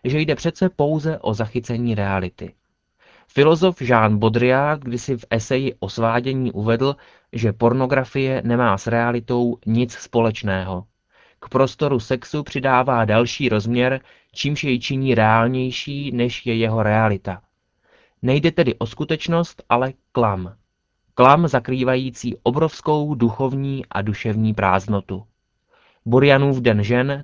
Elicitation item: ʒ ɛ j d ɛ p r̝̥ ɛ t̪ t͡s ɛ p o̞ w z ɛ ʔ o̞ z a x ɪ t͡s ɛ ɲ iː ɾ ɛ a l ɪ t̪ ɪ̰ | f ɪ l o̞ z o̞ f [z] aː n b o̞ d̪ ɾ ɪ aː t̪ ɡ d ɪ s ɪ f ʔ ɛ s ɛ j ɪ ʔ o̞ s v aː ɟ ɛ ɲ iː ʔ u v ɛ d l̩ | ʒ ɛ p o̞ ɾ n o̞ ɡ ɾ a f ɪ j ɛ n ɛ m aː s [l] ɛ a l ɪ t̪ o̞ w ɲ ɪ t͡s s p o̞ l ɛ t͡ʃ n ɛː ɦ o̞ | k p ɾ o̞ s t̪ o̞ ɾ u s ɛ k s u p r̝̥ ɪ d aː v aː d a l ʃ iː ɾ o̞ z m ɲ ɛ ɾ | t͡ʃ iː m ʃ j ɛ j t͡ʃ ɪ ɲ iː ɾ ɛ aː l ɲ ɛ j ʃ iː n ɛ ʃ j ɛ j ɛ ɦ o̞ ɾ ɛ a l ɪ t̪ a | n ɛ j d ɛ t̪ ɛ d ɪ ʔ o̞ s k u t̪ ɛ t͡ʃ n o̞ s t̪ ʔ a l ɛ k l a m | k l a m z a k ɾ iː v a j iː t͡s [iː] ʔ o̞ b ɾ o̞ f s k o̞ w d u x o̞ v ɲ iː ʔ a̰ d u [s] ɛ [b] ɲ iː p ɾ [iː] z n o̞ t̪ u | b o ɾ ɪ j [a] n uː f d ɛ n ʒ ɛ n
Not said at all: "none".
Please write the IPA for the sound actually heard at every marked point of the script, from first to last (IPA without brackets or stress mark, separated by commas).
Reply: ʒ, ɾ, iː, ʃ, v, aː, a